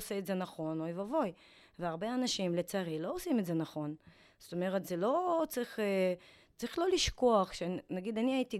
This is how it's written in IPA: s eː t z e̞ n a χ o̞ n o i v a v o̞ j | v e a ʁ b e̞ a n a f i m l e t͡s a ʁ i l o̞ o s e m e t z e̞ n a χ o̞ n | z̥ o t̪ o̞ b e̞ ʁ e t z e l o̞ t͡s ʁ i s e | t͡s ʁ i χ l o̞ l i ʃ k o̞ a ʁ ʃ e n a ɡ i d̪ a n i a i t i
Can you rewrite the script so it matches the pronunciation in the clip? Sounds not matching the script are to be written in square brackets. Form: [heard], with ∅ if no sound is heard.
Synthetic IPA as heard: s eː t z e̞ n a χ o̞ n o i v a v o̞ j | v e a ʁ b e̞ a n a [ʃ] i m l e t͡s a ʁ i l o̞ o s [i] m e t z e̞ n a χ o̞ n | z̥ o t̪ o̞ [m] e̞ ʁ e t z e l o̞ t͡s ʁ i [χ] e | t͡s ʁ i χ l o̞ l i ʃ k o̞ a [χ] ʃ e n a ɡ i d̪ a n i a i t i